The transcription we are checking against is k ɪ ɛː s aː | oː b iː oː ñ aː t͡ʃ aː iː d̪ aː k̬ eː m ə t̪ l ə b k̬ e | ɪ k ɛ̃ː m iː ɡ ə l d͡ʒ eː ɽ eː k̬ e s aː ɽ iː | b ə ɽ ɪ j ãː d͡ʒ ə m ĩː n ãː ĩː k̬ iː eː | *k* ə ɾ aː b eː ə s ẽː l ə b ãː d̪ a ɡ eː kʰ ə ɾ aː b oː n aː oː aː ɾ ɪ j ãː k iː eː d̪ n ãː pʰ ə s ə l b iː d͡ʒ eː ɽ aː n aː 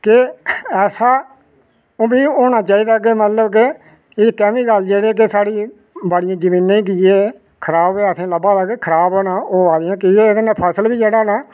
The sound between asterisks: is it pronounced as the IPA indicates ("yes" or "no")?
no